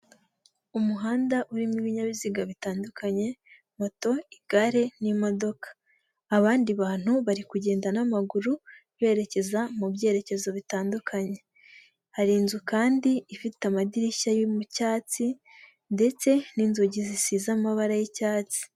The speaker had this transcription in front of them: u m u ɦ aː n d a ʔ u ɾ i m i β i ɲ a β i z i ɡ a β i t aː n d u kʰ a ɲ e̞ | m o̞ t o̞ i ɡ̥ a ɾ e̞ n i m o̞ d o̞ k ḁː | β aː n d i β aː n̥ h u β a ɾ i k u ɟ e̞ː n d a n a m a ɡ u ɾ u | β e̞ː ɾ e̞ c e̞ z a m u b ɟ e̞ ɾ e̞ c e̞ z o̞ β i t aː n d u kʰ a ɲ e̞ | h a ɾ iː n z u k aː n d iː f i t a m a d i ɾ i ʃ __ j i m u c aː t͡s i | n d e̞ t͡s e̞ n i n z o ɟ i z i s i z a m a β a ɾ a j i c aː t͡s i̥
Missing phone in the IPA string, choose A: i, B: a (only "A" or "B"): B